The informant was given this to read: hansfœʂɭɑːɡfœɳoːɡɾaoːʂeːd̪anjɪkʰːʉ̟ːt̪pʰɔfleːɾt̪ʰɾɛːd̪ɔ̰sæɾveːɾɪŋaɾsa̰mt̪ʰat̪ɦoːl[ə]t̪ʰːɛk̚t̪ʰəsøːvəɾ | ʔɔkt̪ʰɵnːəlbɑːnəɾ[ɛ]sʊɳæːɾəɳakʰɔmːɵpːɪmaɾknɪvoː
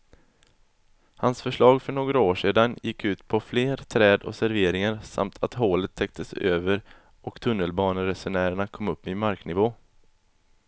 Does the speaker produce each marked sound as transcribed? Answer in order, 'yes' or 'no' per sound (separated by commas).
yes, yes